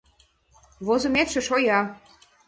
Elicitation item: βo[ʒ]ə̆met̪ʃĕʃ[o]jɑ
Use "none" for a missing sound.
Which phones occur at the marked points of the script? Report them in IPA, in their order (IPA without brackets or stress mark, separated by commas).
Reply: z, o